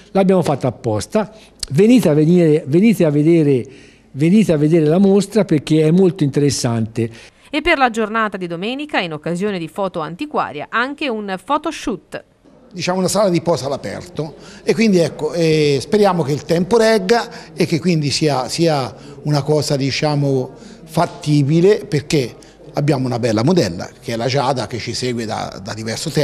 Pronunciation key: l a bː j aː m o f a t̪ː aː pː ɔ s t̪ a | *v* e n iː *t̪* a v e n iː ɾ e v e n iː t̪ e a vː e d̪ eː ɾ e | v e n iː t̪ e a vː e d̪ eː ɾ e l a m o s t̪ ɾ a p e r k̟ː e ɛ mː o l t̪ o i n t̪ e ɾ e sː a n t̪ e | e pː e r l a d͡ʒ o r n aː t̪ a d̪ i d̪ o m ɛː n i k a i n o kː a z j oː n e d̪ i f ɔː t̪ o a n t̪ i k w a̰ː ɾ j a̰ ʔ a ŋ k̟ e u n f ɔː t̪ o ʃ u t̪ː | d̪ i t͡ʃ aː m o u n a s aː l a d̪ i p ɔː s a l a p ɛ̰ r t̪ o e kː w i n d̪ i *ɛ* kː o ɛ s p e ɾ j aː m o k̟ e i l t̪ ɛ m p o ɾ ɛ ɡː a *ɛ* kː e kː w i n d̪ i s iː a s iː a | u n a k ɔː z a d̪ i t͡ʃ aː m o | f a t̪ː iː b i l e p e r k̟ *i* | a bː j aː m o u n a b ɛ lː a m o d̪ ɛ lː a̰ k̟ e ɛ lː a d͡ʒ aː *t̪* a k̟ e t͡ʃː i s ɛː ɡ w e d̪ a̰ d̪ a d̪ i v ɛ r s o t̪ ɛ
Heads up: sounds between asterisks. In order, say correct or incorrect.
correct, correct, correct, incorrect, incorrect, incorrect

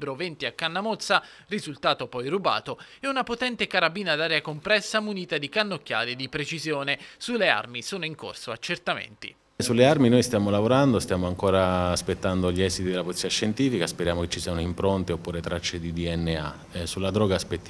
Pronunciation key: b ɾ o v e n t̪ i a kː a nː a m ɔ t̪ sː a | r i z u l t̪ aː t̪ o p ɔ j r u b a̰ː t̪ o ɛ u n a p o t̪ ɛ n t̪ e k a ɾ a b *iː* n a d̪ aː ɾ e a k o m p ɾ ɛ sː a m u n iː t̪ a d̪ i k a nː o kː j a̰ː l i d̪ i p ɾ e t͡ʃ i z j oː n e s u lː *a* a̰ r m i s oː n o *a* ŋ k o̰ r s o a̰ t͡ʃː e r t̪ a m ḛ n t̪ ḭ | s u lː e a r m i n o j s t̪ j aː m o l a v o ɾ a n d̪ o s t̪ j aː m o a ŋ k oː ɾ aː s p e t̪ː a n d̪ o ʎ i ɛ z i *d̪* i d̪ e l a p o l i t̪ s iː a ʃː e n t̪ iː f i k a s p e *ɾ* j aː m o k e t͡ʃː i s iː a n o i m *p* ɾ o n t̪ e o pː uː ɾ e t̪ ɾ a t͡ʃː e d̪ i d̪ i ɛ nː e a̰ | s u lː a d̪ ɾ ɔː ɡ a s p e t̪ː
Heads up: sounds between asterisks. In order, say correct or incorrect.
correct, incorrect, incorrect, incorrect, correct, correct

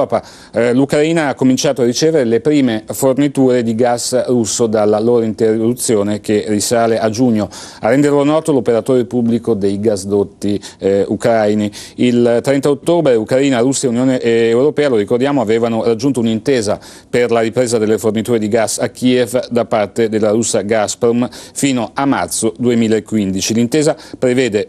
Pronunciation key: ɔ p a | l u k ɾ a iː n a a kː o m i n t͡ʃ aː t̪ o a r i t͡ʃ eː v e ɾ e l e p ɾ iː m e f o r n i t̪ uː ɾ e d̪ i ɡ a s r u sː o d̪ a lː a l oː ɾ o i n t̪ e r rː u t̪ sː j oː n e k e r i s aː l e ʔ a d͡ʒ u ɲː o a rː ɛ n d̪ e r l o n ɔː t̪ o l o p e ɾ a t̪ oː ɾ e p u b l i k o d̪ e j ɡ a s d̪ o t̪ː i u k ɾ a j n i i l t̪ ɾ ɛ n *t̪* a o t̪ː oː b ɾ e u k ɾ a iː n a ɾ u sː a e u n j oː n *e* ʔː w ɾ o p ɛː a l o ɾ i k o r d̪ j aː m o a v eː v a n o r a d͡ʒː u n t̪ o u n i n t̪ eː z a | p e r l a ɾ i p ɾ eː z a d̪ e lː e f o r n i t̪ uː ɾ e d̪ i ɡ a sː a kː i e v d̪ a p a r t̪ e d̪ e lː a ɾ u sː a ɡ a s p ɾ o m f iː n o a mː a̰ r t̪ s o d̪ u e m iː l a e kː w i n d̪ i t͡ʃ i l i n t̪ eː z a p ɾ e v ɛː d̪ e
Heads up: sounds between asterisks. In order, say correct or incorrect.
correct, correct

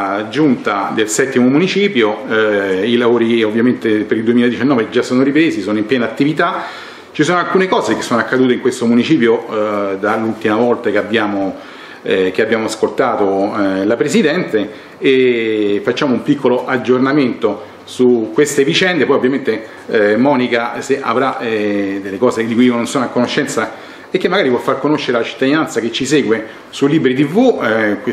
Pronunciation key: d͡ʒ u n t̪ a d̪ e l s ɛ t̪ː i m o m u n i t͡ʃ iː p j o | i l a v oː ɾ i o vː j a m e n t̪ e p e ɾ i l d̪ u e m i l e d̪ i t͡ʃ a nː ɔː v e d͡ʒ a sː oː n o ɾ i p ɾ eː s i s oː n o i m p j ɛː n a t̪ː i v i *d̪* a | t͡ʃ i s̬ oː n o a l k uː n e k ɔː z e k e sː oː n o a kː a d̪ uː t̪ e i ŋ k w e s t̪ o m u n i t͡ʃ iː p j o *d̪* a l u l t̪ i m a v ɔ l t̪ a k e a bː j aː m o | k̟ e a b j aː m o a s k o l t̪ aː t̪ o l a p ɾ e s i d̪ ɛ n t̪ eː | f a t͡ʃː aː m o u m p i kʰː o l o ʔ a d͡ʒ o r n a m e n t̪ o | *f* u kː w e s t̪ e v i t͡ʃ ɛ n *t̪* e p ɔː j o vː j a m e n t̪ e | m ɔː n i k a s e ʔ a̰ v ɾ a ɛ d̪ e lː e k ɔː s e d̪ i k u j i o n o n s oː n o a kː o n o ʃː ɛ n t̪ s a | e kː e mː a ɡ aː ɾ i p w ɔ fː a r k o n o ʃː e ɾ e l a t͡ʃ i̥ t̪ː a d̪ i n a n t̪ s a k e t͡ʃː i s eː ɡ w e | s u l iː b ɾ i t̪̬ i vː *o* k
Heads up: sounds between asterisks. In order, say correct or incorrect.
incorrect, correct, incorrect, incorrect, incorrect

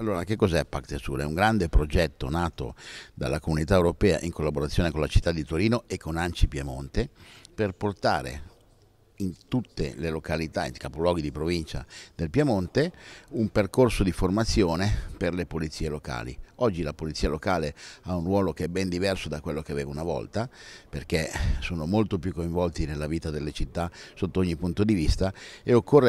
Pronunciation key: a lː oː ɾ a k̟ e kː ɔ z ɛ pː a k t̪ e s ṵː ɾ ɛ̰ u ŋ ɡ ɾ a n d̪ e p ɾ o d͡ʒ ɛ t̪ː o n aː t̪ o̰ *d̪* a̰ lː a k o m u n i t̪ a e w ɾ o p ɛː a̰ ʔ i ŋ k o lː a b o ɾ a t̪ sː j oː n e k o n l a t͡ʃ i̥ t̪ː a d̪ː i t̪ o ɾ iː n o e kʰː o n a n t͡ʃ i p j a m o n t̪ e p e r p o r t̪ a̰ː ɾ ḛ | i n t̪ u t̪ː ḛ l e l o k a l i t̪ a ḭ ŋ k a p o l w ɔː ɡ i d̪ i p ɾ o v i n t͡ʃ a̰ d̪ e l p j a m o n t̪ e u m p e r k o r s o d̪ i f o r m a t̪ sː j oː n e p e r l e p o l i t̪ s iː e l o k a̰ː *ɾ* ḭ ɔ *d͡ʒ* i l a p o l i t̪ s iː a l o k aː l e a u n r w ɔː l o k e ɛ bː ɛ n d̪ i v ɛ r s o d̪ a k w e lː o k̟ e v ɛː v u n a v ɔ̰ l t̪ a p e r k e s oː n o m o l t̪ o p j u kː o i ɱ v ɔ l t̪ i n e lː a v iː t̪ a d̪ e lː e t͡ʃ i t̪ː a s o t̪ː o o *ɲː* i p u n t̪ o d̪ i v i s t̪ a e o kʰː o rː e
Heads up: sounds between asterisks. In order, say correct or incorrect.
correct, incorrect, incorrect, correct

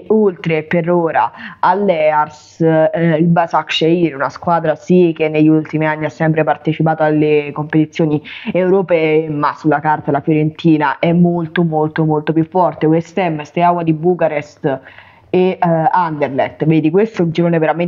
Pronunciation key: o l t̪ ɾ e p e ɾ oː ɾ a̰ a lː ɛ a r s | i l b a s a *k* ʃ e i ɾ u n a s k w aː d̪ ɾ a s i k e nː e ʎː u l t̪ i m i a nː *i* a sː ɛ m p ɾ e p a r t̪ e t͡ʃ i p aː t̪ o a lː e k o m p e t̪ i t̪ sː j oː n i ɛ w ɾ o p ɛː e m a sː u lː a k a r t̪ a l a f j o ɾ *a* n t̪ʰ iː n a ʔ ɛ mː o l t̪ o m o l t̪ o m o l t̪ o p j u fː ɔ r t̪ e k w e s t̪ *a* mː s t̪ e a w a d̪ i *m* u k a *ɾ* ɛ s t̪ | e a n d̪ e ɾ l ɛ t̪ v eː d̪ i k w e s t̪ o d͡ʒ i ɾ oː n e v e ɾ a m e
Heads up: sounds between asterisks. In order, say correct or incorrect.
correct, correct, incorrect, incorrect, incorrect, correct

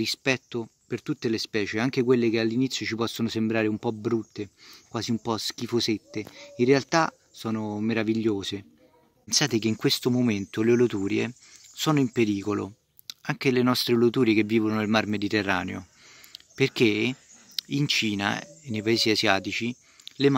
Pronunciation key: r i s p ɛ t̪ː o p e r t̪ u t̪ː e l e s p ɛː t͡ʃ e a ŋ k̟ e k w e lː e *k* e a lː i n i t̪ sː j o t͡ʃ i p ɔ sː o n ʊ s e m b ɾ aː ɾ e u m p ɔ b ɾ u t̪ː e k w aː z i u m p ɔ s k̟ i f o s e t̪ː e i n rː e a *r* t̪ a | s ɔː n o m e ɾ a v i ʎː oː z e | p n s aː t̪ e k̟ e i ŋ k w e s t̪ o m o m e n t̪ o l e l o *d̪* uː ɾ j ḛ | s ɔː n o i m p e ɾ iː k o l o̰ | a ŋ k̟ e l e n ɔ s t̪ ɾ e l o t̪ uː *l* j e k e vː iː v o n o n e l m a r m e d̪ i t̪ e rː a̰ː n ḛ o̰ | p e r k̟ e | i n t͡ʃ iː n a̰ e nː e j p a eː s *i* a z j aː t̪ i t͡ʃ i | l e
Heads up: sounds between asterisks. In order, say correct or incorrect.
correct, incorrect, incorrect, incorrect, correct

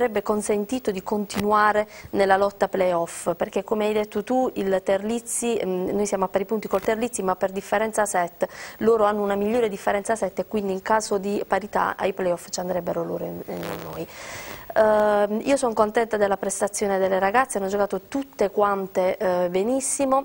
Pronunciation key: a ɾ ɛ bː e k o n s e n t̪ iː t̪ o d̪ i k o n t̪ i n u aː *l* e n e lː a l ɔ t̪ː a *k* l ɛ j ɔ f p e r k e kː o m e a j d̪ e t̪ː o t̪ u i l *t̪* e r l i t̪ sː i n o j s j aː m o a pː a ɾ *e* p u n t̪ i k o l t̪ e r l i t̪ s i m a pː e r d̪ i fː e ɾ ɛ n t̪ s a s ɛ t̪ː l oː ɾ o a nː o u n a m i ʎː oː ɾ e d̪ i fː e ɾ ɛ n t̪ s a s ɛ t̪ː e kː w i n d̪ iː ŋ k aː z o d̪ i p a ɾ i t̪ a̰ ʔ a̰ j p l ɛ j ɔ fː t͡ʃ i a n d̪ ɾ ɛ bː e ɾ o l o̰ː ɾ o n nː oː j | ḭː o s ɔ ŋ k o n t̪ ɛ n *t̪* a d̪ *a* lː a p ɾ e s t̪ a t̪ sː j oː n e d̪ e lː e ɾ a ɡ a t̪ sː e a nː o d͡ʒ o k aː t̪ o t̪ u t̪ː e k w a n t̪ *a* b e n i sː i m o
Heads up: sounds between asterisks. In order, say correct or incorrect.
incorrect, incorrect, correct, incorrect, correct, incorrect, incorrect

